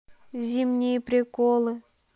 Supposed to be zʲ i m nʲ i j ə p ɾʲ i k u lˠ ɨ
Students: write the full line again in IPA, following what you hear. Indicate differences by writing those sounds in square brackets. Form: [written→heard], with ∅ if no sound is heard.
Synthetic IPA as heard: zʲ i m nʲ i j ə p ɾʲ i k [u→o] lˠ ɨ